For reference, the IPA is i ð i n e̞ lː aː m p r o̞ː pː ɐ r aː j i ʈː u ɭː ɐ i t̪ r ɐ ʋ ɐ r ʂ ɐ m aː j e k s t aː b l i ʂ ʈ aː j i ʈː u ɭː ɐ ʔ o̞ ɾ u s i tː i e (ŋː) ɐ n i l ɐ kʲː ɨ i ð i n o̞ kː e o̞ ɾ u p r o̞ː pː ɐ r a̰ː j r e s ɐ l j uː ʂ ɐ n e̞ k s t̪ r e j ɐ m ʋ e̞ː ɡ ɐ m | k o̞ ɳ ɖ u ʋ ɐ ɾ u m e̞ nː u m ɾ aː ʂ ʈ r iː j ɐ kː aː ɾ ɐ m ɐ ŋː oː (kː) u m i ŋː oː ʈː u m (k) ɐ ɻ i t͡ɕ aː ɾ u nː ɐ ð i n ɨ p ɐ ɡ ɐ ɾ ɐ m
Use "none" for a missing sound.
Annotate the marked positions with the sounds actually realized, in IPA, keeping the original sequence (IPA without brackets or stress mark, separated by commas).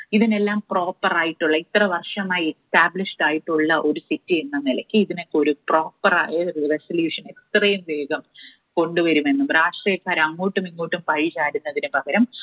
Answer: nː, ʈː, p